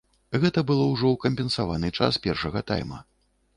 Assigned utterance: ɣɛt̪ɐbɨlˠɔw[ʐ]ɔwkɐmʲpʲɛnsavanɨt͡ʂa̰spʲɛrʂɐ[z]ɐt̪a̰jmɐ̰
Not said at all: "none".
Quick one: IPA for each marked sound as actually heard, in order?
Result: ʐ, ɣ

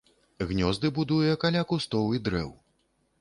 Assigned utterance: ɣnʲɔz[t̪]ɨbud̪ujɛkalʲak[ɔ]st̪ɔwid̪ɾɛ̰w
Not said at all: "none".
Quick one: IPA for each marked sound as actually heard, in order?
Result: d̪, u

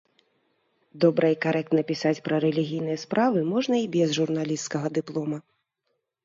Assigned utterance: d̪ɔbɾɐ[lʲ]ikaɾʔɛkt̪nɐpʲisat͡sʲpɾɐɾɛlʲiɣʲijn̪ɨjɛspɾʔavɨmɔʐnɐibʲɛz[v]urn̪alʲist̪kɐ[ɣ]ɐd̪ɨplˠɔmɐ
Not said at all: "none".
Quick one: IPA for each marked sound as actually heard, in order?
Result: none, ʐ, ɣ

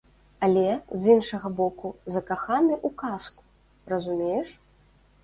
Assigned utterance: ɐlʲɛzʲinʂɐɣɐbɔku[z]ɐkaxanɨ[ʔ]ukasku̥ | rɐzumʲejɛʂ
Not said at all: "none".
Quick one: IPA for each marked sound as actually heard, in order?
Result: z, ʔ

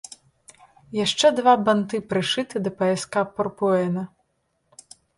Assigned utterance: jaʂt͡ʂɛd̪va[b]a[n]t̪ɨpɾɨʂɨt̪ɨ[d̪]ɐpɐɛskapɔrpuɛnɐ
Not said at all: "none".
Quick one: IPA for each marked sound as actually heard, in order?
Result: b, n, d̪

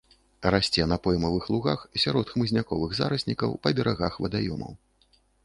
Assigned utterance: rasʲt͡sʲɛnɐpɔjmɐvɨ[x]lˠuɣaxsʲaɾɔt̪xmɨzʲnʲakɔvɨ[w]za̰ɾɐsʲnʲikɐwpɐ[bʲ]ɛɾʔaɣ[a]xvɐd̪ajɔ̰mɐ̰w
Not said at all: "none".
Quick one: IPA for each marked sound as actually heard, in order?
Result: x, ɣ, bʲ, a

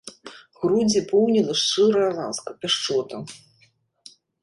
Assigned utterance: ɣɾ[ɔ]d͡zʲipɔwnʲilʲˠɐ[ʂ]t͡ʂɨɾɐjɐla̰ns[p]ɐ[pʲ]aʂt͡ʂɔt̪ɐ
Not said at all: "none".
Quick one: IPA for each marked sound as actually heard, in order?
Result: u, ʂ, k, pʲ

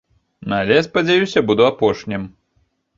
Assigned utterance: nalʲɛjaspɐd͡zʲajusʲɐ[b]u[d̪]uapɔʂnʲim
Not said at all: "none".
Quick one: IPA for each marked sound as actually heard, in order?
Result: b, d̪

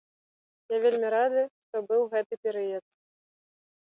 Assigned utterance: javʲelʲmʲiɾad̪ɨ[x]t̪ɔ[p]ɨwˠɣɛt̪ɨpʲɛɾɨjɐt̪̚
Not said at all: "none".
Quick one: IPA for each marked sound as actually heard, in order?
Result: ʂ, b

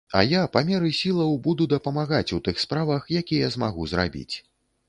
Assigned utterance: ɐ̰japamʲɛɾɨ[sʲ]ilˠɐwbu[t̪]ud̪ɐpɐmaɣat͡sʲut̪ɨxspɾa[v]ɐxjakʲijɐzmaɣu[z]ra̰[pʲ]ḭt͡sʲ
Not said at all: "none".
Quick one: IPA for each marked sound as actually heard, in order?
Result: sʲ, d̪, v, z, bʲ

